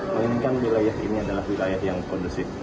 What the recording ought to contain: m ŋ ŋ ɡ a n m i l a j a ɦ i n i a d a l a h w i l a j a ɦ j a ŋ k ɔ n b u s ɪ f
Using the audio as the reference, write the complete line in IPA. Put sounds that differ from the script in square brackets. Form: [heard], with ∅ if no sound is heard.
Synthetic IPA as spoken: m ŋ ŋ [k] a n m i l a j a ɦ i n i a d a l a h w i l a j a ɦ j a ŋ k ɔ n [d] u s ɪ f